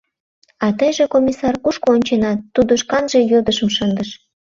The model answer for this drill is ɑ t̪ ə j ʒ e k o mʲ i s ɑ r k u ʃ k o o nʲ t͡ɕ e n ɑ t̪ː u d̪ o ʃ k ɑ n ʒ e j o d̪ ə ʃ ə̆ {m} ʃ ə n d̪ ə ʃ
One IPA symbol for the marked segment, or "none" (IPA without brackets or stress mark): m